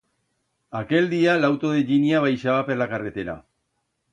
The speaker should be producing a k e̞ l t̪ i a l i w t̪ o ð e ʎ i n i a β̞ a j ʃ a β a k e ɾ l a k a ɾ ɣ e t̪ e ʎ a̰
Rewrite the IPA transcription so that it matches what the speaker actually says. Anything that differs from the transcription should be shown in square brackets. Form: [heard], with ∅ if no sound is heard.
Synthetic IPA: a k e̞ l [d̪] i a l [a] w t̪ o ð e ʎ i n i a β̞ a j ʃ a β a [p] e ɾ l a k a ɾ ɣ e t̪ e [ɾ] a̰